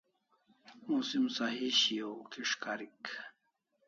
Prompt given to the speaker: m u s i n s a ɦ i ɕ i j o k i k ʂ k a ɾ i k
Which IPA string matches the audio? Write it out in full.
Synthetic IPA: m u s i m s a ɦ i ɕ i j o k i ʂ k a ɾ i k